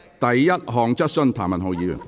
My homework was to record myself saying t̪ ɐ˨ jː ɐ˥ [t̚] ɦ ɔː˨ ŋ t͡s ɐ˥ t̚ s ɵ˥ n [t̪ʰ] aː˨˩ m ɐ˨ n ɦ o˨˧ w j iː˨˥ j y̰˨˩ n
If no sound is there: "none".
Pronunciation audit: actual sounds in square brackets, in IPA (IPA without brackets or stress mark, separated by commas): t̚, t̪ʰ